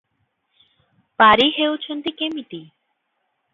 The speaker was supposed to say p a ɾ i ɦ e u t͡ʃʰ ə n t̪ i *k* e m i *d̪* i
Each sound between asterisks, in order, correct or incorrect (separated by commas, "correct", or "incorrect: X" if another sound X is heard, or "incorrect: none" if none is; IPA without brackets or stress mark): correct, incorrect: t̪